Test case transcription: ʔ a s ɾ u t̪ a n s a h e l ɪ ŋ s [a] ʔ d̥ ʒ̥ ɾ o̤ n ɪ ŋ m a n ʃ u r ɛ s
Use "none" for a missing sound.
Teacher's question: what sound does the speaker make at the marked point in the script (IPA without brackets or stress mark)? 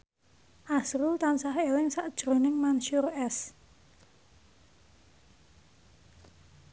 a